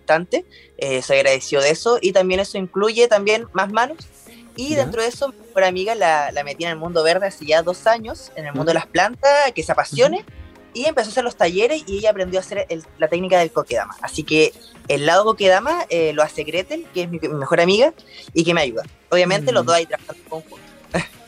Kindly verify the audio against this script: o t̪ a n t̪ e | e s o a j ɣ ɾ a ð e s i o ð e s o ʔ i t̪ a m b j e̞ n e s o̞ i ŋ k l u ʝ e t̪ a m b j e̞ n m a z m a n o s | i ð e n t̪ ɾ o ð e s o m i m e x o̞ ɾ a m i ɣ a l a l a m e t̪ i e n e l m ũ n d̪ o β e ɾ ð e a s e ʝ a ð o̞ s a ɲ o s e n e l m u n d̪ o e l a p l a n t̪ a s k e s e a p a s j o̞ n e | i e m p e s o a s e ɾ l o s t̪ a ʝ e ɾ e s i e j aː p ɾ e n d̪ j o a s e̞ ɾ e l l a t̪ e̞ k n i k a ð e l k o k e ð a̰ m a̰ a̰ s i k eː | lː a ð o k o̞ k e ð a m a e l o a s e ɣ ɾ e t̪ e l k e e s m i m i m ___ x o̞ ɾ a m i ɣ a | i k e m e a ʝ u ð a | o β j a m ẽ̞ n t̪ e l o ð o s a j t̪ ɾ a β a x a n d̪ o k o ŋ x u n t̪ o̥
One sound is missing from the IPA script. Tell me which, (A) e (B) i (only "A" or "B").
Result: A